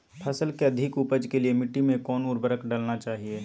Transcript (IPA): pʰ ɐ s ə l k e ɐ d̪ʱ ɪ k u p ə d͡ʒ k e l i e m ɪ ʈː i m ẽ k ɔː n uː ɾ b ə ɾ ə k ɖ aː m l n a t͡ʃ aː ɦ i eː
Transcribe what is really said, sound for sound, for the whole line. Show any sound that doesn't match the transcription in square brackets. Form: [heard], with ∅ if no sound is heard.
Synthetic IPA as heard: pʰ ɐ s ə l k e ɐ d̪ʱ ɪ k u p ə d͡ʒ k e l i e m ɪ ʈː i m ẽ k ɔː n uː ɾ b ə ɾ ə k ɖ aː [∅] l n a t͡ʃ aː ɦ i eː